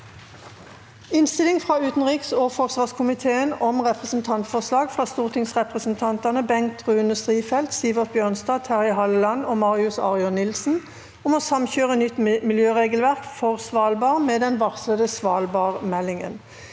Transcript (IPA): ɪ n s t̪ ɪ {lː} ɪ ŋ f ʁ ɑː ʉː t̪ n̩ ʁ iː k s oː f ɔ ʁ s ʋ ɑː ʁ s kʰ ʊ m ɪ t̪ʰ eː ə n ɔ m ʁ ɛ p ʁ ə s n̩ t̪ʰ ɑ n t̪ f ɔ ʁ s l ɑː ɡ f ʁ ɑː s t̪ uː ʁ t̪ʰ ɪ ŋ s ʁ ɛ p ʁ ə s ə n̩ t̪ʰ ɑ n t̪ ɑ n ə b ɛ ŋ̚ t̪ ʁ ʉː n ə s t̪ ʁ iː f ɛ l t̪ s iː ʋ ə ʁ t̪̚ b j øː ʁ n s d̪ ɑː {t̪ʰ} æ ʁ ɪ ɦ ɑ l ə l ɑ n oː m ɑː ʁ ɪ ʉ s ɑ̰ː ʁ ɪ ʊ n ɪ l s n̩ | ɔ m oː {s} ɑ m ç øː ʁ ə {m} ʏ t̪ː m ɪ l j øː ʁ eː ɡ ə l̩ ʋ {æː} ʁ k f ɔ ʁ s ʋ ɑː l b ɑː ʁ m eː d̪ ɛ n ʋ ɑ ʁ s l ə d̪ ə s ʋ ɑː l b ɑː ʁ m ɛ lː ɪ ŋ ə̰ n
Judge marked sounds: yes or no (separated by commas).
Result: no, yes, yes, no, no